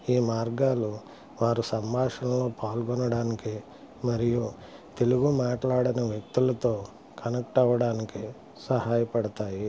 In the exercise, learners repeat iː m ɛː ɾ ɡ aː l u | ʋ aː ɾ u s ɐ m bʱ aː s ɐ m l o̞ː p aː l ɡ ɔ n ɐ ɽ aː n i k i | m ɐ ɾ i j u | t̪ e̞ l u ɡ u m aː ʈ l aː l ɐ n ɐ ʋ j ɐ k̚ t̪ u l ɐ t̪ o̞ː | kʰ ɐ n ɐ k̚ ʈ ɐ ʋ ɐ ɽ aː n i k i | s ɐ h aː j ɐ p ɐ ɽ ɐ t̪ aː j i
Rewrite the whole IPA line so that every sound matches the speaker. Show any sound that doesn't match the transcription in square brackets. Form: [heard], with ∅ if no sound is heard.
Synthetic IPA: iː m [aː] ɾ ɡ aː l u | ʋ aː ɾ u s ɐ m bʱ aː [ʂ] ɐ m l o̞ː p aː l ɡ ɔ n ɐ ɽ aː n i k i | m ɐ ɾ i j u | t̪ e̞ l u ɡ u m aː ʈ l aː [ɽ] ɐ n ɐ ʋ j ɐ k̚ t̪ u l ɐ t̪ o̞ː | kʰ ɐ n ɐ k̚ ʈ ɐ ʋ ɐ ɽ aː n i k i | s ɐ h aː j ɐ p ɐ ɽ ɐ t̪ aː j i